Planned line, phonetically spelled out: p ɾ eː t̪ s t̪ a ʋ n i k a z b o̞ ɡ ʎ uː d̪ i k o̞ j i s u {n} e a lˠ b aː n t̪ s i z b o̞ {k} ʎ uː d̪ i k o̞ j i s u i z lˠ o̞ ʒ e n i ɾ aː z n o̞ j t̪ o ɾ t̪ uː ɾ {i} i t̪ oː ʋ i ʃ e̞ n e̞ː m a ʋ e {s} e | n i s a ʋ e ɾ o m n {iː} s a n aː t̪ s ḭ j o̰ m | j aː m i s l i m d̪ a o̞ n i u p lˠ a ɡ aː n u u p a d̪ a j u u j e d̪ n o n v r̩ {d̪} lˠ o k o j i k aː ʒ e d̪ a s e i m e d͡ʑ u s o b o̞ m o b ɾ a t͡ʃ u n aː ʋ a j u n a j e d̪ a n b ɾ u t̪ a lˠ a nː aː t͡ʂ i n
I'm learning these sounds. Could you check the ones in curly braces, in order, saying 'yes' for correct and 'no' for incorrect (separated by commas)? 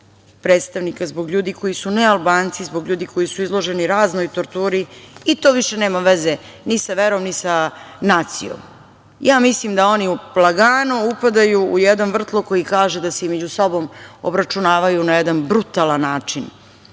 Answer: yes, no, yes, no, no, no